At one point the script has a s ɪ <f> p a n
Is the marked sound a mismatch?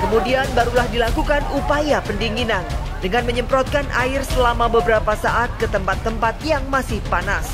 yes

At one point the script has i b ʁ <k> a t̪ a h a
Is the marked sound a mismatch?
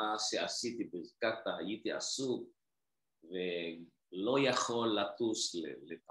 no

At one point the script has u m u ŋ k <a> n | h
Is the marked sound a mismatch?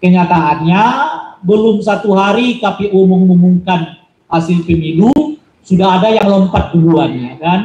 no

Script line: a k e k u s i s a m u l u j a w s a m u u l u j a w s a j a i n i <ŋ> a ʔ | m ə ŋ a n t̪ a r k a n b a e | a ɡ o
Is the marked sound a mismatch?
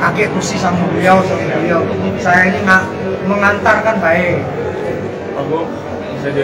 no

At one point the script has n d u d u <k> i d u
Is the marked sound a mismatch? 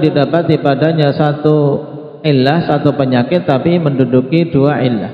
no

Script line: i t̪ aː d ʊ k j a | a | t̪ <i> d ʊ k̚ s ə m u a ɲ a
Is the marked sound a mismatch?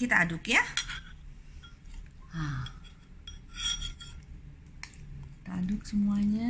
yes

